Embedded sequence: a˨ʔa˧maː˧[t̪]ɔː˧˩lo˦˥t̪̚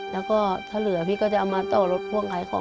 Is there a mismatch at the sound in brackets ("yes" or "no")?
no